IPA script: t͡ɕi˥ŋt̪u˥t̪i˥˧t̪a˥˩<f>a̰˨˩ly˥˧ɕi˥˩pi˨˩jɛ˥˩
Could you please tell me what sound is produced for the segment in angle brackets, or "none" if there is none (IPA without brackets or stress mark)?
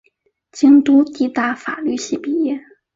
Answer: f